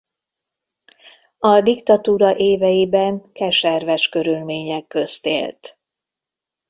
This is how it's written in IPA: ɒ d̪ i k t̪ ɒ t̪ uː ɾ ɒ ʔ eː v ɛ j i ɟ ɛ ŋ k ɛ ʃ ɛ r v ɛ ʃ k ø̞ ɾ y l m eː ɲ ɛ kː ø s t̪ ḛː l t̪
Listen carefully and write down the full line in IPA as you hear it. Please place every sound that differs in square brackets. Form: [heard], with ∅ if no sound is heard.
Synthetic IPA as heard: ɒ d̪ i k t̪ ɒ t̪ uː ɾ ɒ ʔ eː v ɛ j i [b] ɛ ŋ k ɛ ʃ ɛ r v ɛ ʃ k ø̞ ɾ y l m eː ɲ ɛ kː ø s t̪ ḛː l t̪